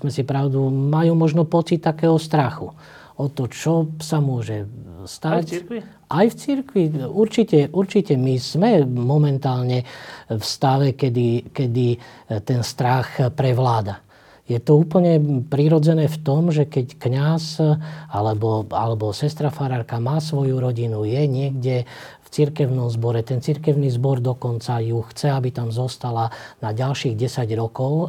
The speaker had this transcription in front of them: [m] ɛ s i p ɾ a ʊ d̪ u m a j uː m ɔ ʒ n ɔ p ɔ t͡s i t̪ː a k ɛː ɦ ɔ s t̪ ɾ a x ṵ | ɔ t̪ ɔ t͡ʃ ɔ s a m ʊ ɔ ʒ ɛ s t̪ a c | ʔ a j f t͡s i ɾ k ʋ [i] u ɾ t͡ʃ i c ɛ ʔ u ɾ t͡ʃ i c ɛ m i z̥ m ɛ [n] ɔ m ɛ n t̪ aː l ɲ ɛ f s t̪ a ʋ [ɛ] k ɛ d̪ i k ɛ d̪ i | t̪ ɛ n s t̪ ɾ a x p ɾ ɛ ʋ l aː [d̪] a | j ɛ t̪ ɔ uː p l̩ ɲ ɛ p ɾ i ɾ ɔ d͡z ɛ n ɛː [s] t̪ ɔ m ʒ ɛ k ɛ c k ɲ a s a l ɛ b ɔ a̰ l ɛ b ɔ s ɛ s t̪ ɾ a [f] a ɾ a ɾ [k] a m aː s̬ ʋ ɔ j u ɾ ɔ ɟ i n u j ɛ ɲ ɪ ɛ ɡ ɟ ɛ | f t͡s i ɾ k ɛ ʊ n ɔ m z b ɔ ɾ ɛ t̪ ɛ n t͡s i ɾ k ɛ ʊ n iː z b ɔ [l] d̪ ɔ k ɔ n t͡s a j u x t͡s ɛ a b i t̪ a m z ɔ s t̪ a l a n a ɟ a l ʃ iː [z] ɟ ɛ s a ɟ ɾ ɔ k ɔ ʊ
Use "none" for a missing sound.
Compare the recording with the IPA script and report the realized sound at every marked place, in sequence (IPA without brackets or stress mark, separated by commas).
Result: m, i, m, ɛ, d̪, f, f, k, ɾ, ɣ